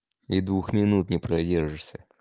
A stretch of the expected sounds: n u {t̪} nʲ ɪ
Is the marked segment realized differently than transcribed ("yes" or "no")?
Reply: no